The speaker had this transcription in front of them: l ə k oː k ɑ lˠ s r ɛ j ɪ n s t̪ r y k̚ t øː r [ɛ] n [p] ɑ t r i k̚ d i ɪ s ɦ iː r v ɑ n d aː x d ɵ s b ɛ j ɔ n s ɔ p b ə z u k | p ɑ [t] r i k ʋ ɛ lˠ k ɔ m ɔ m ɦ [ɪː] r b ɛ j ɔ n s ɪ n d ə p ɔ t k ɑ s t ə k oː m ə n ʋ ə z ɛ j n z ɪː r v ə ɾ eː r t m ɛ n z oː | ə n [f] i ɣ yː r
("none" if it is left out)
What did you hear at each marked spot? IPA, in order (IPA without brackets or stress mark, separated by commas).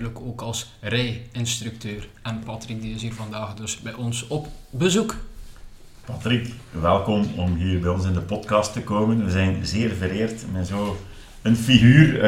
ɛ, p, t, iː, f